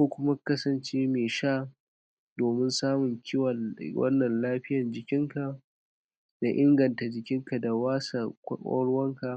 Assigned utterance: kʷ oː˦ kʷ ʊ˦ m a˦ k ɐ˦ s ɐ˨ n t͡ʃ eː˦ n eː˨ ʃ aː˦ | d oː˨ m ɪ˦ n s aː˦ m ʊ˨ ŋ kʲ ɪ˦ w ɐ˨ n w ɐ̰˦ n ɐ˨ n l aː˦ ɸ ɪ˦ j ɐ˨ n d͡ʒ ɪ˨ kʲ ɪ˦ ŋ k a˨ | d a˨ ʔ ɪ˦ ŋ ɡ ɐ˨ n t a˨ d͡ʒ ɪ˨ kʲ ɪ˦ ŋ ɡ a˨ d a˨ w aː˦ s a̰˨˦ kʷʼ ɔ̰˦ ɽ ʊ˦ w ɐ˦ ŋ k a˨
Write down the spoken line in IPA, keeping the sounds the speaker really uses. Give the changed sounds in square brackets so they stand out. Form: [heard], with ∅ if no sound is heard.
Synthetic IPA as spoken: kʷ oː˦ kʷ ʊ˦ m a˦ k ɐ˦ s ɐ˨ n t͡ʃ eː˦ [m] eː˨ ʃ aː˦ | d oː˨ m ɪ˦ n s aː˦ m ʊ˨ ŋ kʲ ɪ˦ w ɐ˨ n w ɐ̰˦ [nː] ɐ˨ n l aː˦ ɸ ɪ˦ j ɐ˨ n d͡ʒ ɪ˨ kʲ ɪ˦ ŋ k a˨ | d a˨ ʔ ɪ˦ ŋ ɡ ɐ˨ n t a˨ d͡ʒ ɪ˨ kʲ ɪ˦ ŋ [k] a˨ d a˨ w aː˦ s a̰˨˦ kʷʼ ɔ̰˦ ɽ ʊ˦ w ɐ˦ ŋ k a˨